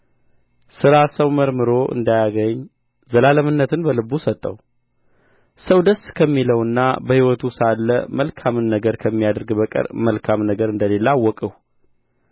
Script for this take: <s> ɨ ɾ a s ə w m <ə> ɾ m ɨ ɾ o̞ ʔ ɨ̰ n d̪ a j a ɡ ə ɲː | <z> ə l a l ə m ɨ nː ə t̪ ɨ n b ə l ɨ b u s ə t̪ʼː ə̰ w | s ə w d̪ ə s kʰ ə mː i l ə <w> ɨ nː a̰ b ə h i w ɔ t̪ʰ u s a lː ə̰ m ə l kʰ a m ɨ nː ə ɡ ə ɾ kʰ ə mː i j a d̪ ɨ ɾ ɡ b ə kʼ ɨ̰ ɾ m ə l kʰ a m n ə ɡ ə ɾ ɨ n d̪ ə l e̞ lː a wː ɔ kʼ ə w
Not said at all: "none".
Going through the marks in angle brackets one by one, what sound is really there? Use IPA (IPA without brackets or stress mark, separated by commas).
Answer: s, ə, z, w